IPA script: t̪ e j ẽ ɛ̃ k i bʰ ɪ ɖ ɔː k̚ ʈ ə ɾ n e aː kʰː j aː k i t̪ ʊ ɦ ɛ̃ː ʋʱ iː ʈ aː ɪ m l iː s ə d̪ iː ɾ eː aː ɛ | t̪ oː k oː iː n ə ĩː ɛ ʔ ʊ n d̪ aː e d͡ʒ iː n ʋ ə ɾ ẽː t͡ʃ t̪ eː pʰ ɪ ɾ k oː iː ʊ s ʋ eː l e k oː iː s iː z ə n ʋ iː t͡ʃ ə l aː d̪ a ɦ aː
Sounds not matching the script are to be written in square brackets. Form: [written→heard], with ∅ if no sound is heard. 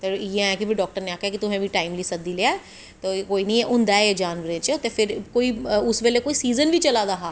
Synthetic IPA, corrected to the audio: t̪ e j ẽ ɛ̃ k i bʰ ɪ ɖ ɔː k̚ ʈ ə ɾ n e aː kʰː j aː k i t̪ ʊ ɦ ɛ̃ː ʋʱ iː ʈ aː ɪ m l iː s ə d̪ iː [ɾ→l] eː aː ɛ | t̪ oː k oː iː n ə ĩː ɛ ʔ ʊ n d̪ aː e d͡ʒ [iː→aː] n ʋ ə ɾ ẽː t͡ʃ t̪ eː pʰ ɪ ɾ k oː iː ʊ s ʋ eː l e k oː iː s iː z ə n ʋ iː t͡ʃ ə l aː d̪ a ɦ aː